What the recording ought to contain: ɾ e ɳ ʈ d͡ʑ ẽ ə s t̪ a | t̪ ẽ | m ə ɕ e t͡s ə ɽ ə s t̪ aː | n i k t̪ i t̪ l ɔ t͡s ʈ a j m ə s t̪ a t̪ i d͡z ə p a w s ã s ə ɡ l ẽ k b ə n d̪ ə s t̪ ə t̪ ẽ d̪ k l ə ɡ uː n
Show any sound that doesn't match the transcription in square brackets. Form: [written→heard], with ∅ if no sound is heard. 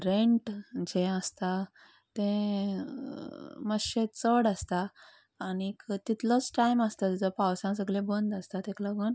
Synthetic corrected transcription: ɾ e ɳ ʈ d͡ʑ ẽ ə s t̪ a | t̪ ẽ | m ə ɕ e t͡s ə ɽ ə s t̪ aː | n i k t̪ i t̪ l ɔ t͡s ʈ a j m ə s t̪ a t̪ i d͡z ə p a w s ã s ə ɡ l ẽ [k→∅] b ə n d̪ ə s t̪ [ə→a] t̪ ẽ [d̪→∅] k l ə ɡ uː n